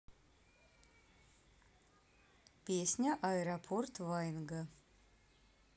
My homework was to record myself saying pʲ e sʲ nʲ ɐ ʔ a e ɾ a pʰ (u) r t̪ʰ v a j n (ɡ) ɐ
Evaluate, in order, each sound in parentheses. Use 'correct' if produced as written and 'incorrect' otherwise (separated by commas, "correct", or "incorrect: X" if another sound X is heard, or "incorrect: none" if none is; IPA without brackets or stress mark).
incorrect: o, correct